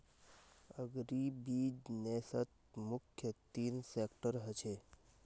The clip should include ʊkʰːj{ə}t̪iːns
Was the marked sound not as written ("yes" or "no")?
no